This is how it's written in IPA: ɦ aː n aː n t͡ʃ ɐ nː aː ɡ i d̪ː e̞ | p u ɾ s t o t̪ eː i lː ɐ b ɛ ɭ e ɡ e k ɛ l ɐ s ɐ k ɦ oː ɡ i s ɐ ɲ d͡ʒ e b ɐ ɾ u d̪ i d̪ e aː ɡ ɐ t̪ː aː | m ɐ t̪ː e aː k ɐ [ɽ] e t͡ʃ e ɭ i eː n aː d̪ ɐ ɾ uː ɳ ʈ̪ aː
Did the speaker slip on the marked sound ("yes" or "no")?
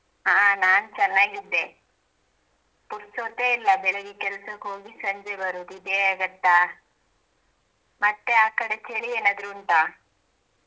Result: no